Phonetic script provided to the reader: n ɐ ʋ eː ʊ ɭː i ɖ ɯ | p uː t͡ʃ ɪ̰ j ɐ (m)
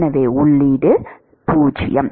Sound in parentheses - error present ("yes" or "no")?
no